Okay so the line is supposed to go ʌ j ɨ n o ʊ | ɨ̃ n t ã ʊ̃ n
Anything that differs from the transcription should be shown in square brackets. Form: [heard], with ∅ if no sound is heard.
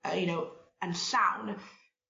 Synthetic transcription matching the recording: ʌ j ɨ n o ʊ | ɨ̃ n [s] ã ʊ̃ n